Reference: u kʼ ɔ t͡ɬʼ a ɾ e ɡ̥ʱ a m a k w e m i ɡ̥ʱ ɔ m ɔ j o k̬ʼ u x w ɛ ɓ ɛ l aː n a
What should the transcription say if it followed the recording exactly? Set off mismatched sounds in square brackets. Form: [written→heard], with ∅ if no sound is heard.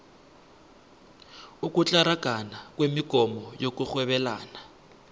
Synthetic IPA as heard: u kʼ [ɔ→u] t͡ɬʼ a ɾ [e→a] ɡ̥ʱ a [m→n] a k w e m i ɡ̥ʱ ɔ m ɔ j o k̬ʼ u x w ɛ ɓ ɛ l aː n a